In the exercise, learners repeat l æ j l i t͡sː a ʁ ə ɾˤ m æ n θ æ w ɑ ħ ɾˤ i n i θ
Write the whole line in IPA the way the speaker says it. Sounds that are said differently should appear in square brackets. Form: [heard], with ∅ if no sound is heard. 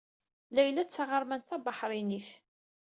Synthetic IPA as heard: l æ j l [æ] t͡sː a ʁ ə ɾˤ m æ n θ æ [b] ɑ ħ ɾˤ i n i θ